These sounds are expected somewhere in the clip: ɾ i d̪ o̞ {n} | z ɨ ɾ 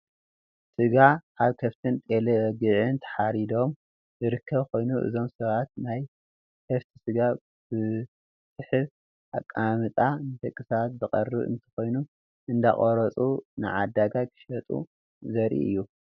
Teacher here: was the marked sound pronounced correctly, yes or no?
no